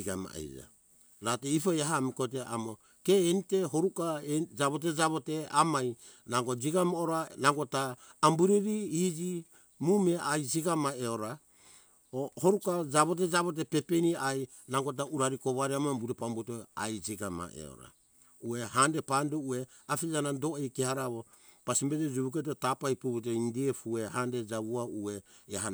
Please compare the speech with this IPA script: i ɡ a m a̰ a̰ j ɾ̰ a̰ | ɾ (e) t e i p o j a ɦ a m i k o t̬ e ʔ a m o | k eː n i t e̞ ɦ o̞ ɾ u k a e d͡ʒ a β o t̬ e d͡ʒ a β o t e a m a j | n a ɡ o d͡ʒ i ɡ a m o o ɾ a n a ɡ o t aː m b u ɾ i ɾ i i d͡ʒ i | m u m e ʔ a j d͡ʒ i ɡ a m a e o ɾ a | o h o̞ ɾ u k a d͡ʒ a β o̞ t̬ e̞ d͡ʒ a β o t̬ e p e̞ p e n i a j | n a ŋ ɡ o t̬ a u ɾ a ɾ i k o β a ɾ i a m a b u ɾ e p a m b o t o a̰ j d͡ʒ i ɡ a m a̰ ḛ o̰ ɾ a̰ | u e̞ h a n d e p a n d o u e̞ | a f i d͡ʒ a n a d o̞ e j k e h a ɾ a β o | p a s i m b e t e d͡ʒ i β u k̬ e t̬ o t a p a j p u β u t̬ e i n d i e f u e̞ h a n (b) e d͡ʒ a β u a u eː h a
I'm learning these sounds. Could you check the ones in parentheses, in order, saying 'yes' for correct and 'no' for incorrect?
no, no

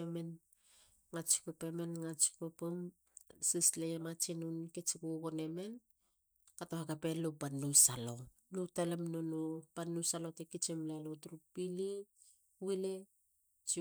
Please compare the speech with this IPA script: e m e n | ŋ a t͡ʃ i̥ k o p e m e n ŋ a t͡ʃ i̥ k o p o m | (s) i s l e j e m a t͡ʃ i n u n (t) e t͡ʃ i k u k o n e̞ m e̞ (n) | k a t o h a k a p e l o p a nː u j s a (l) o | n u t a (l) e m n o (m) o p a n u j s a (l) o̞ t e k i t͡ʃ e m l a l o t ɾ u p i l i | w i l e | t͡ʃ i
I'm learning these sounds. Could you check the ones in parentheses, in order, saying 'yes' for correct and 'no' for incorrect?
yes, no, yes, yes, yes, no, yes

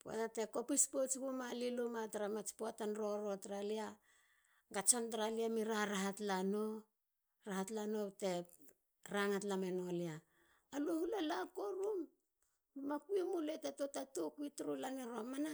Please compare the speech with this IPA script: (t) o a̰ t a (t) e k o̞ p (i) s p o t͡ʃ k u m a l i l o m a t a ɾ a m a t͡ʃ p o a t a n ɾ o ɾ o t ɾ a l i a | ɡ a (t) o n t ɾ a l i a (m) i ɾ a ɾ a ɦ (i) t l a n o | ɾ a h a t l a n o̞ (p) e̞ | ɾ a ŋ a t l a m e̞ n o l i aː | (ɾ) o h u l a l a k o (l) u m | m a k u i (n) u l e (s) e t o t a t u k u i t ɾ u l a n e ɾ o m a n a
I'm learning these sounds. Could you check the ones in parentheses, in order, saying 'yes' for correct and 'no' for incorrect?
no, yes, yes, no, yes, no, no, no, no, no, no

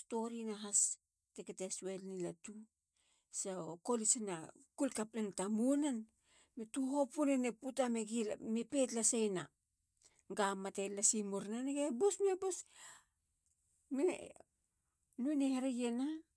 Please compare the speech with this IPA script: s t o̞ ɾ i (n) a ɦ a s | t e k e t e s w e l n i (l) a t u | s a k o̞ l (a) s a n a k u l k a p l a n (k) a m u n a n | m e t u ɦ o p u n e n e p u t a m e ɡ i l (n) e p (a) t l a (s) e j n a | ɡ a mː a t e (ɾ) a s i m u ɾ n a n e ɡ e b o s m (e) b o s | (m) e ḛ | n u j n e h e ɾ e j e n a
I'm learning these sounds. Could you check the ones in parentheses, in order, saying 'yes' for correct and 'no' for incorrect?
yes, yes, no, no, no, no, yes, no, yes, yes

